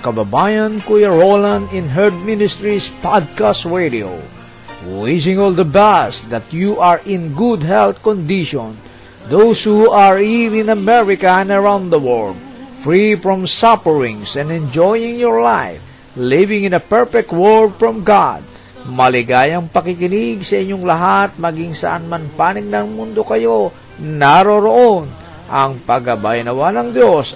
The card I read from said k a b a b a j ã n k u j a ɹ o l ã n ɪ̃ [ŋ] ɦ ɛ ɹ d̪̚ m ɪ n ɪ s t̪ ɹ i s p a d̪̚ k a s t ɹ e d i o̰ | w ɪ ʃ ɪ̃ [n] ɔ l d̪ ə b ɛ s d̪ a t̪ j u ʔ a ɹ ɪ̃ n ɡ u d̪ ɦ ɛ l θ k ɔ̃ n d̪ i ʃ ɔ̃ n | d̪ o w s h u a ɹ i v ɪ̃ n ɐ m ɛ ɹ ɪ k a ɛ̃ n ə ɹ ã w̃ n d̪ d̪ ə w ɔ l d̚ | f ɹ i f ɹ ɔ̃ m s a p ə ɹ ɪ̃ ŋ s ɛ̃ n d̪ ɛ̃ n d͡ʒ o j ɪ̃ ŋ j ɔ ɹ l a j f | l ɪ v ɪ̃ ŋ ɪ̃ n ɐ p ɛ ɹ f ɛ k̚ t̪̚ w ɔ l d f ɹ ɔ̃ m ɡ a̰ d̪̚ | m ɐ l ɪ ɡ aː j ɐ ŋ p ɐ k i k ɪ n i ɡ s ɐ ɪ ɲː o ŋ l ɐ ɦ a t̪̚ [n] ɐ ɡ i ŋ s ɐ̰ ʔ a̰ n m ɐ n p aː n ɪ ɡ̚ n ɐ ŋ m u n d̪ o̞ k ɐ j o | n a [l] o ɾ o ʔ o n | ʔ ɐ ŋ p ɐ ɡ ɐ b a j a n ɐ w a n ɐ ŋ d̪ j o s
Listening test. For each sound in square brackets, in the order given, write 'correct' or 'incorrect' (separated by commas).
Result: incorrect, incorrect, incorrect, incorrect